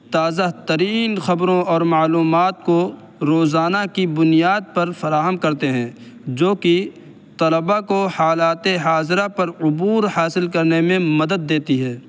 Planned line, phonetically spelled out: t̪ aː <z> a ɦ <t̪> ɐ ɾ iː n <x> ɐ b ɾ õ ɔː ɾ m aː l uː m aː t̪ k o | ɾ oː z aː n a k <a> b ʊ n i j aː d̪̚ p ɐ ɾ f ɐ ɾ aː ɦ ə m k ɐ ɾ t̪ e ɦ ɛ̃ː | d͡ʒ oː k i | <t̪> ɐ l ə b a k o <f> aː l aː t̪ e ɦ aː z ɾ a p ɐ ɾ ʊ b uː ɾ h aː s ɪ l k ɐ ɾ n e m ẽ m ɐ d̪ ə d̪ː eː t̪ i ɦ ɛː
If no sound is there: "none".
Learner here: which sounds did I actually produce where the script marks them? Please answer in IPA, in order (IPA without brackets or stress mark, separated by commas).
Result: z, t̪, x, i, t̪, h